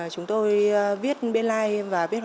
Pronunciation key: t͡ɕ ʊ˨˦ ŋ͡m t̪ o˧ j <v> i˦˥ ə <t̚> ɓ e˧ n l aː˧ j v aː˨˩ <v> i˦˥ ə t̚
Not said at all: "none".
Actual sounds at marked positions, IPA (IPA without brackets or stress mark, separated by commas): v, t̚, v